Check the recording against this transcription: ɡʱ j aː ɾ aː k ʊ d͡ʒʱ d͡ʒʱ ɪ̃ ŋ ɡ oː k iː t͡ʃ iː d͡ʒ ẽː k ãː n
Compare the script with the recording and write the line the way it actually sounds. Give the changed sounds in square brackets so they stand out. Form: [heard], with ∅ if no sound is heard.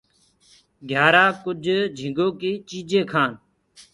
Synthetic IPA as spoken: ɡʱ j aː ɾ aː k ʊ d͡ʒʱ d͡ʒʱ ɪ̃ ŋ ɡ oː k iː t͡ʃ iː d͡ʒ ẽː [kʰ] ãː n